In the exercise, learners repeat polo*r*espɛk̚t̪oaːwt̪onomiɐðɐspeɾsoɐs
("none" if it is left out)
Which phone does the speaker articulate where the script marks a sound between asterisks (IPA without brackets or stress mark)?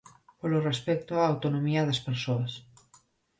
r